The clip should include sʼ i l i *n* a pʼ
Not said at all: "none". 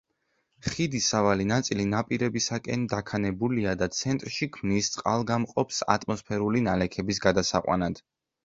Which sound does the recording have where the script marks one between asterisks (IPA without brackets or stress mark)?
n